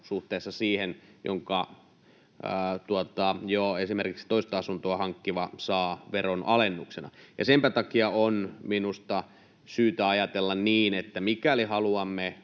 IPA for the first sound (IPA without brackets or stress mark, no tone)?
s